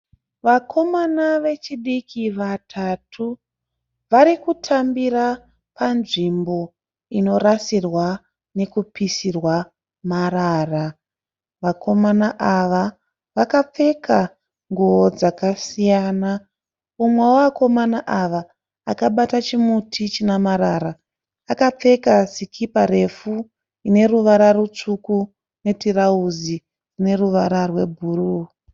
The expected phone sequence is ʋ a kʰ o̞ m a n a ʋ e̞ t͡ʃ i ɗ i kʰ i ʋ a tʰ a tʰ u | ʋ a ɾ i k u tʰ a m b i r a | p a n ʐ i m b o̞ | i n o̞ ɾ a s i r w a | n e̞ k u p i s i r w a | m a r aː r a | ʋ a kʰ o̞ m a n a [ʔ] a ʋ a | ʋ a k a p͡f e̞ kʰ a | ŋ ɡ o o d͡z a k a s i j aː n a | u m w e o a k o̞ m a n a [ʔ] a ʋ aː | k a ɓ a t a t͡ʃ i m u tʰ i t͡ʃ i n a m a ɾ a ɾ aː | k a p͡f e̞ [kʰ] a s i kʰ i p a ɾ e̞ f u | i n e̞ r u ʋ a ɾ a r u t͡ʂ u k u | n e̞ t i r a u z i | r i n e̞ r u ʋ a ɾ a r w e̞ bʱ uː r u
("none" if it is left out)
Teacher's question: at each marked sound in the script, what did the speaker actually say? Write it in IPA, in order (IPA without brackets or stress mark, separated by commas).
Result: ʔ, ʔ, k